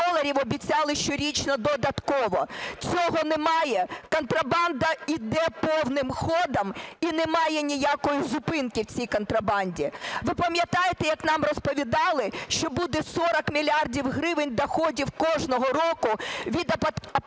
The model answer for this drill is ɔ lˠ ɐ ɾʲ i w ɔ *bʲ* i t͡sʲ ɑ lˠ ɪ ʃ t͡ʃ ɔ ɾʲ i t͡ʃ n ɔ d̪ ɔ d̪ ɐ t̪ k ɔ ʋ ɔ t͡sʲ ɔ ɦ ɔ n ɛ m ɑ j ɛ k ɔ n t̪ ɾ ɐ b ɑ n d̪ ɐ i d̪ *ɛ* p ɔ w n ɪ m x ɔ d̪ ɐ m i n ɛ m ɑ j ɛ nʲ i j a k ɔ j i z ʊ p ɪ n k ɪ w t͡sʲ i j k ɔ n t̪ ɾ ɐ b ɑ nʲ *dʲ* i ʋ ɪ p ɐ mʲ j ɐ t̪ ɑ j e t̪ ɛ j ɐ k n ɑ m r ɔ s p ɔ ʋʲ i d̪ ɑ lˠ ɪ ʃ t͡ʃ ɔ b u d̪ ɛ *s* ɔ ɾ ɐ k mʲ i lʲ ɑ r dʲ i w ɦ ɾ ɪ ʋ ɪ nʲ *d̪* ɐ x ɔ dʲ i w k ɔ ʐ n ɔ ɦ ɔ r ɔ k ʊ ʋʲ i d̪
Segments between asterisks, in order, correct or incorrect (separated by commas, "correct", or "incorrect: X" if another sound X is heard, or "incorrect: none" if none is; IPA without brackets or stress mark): correct, correct, correct, correct, correct